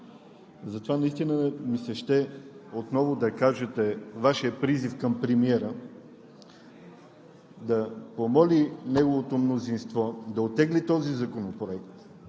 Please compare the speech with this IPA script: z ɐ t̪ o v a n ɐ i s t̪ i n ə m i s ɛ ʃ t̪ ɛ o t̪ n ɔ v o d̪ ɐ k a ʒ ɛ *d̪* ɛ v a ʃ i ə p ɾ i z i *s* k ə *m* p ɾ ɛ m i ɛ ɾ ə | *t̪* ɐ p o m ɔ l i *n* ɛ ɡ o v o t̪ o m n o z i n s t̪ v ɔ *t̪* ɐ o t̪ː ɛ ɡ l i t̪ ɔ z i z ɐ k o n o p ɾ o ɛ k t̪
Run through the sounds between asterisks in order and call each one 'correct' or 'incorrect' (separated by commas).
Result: incorrect, incorrect, correct, incorrect, correct, incorrect